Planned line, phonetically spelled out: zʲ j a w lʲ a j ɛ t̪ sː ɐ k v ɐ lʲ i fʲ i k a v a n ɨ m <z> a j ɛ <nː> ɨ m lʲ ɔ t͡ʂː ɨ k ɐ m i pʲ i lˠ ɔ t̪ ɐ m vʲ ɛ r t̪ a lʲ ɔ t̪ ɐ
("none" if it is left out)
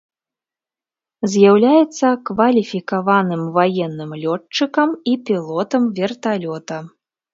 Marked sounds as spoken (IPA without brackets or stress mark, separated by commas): v, nː